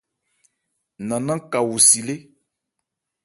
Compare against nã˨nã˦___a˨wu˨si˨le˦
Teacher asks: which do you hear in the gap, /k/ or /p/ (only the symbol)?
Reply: k